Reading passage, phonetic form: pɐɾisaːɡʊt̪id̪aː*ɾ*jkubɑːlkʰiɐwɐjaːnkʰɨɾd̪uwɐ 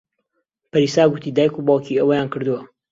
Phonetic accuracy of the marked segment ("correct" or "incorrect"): incorrect